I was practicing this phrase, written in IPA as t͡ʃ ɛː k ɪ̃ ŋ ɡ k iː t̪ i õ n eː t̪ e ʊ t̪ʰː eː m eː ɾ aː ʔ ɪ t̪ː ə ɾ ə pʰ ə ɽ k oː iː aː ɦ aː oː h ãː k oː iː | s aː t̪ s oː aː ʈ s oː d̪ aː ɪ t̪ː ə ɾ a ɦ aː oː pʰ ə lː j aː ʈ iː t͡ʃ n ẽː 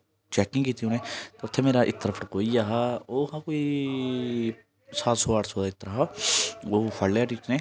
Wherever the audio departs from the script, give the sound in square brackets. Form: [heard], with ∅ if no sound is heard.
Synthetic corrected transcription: t͡ʃ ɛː k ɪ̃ ŋ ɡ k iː t̪ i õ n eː t̪ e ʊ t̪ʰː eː m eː ɾ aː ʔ ɪ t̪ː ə ɾ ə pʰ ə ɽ k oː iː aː ɦ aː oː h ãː k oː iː | s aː t̪ s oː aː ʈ s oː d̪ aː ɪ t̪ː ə ɾ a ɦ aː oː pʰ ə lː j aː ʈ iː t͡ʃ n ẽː

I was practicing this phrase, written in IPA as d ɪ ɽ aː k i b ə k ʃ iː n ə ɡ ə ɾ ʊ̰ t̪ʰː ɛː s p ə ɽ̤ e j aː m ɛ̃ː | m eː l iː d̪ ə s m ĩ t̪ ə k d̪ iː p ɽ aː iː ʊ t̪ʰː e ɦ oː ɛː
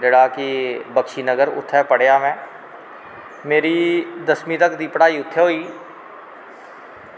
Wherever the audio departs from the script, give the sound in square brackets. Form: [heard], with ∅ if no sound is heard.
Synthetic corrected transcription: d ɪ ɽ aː k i b ə k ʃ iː n ə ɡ ə ɾ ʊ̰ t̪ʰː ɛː [∅] p ə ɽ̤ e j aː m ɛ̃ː | m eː [ɾ] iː d̪ ə s m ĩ t̪ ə k d̪ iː p ɽ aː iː ʊ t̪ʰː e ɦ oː [iː]

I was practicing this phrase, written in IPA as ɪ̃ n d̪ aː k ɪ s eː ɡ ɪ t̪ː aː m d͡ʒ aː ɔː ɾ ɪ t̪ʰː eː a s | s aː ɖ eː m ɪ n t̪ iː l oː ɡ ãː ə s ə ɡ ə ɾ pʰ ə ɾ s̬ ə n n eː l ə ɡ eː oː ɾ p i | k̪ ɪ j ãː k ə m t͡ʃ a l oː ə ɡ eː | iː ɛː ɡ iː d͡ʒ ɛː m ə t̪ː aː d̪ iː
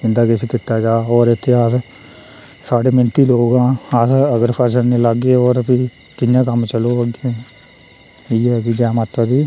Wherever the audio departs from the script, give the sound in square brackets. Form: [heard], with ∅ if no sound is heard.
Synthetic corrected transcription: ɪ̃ n d̪ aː k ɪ s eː [k] ɪ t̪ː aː [∅] d͡ʒ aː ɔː ɾ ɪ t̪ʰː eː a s | s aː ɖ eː m ɪ n t̪ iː l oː ɡ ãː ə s ə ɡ ə ɾ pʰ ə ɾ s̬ ə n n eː l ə ɡ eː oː ɾ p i | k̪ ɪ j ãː k ə m t͡ʃ [ə] l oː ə ɡ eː | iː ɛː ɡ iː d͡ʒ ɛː m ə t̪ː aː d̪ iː

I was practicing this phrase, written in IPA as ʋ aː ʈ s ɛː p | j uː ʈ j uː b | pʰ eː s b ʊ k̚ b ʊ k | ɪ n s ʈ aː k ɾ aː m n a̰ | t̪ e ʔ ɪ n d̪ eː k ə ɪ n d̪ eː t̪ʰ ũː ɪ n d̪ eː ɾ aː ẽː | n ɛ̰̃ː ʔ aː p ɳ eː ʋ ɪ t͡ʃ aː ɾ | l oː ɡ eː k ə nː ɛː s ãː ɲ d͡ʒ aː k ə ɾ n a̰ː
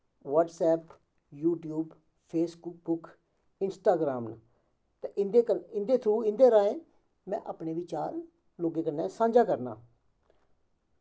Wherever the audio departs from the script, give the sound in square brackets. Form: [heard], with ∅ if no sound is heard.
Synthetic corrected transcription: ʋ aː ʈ s ɛː p | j uː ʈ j uː b | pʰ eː s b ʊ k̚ b ʊ k | ɪ n s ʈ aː [ɡ] ɾ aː m n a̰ | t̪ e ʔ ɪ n d̪ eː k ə ɪ n d̪ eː t̪ʰ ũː ɪ n d̪ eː ɾ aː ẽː | [m] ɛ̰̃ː ʔ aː p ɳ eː ʋ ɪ t͡ʃ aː ɾ | l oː ɡ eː k ə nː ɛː s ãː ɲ d͡ʒ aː k ə ɾ n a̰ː

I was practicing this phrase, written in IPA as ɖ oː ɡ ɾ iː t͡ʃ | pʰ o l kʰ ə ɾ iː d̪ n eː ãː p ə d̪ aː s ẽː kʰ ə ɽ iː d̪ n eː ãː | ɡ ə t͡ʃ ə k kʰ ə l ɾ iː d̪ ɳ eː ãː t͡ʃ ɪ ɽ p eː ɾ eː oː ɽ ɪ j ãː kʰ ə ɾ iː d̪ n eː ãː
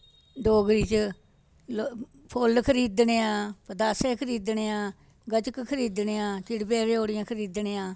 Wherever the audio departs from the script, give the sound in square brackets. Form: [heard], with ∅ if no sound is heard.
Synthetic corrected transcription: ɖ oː ɡ ɾ iː t͡ʃ | pʰ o l kʰ ə ɾ iː d̪ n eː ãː p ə d̪ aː s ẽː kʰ ə [ɾ] iː d̪ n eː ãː | ɡ ə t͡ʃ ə k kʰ ə [∅] ɾ iː d̪ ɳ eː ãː t͡ʃ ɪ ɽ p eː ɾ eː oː ɽ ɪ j ãː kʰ ə ɾ iː d̪ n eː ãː

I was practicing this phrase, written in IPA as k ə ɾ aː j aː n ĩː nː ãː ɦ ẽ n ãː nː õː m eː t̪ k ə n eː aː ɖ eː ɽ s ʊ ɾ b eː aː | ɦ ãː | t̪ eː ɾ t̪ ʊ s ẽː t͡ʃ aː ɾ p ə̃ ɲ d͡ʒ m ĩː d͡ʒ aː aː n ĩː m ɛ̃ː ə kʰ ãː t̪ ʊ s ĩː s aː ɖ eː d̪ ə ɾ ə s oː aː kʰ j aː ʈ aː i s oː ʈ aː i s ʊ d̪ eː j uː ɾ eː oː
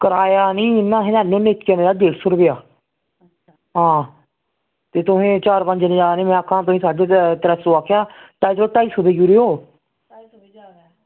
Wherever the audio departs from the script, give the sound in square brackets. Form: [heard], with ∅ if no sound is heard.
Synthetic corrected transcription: k ə ɾ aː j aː n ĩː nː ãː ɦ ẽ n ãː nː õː [n] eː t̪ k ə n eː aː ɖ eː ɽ s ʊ ɾ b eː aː | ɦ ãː | t̪ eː [∅] t̪ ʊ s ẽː t͡ʃ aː ɾ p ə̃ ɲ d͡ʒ [n] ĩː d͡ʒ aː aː n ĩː m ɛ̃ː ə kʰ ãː t̪ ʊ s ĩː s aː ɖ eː [t̪] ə ɾ ə s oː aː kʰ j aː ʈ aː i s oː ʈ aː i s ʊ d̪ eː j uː ɾ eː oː

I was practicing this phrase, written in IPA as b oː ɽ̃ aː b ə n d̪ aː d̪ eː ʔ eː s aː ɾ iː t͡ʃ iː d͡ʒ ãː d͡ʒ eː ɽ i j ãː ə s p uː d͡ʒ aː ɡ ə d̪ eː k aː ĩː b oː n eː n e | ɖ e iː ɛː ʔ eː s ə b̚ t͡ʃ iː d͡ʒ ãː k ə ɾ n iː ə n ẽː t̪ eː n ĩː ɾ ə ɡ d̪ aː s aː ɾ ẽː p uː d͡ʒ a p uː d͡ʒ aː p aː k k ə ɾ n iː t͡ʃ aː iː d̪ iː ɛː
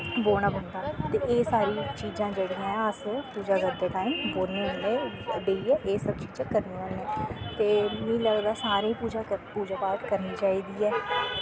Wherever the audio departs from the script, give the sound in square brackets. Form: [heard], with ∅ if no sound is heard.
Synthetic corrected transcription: b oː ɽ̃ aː b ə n d̪ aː [t̪] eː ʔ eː s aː ɾ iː t͡ʃ iː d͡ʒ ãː d͡ʒ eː ɽ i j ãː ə s p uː d͡ʒ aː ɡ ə d̪ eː k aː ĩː b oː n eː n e | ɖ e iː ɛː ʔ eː s ə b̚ t͡ʃ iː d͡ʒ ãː k ə ɾ n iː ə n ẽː t̪ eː n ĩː [l] ə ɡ d̪ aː s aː ɾ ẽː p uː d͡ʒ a p uː d͡ʒ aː p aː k k ə ɾ n iː t͡ʃ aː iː d̪ iː ɛː

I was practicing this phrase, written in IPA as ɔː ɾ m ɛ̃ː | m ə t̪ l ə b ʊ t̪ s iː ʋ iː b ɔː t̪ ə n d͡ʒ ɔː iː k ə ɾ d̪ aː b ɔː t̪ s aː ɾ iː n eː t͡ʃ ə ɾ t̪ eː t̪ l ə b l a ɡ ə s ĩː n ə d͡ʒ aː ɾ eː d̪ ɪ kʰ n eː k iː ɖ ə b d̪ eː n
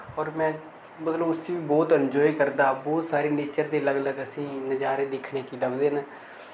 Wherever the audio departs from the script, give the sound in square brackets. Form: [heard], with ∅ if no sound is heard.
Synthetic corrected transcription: ɔː ɾ m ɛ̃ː | m ə t̪ l ə b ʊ [∅] s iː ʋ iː b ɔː t̪ ə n d͡ʒ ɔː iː k ə ɾ d̪ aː b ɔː t̪ s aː ɾ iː n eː t͡ʃ ə ɾ t̪ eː [∅] l ə [ɡ] l [ə] ɡ ə s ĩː n ə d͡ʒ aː ɾ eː d̪ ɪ kʰ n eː k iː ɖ ə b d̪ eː n

